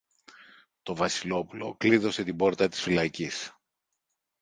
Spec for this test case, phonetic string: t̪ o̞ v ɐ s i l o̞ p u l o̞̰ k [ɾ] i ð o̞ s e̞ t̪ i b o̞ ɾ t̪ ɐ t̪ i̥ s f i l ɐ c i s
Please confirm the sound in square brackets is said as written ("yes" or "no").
no